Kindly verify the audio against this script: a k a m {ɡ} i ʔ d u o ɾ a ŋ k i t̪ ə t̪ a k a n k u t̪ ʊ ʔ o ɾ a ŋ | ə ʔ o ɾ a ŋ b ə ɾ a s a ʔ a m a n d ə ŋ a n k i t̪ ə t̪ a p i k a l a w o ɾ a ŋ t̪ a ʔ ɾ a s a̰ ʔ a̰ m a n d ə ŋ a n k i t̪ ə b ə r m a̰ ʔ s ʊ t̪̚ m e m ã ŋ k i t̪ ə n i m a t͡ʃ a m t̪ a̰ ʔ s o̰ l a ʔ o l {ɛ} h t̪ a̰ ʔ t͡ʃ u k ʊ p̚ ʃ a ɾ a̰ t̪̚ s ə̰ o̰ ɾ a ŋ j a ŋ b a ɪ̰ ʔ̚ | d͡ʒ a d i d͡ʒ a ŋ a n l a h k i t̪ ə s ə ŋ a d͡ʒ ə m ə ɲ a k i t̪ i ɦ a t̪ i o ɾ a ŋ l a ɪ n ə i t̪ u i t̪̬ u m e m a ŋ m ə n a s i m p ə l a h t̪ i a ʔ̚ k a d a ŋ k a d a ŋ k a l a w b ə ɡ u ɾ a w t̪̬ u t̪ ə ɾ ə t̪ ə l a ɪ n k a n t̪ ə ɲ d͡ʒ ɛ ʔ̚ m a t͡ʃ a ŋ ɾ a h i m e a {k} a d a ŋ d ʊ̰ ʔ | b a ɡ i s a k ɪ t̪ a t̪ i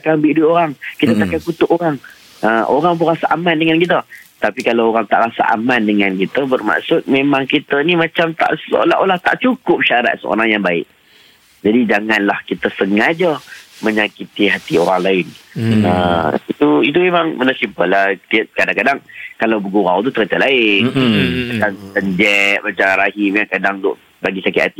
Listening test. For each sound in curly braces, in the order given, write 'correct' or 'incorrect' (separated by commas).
incorrect, incorrect, correct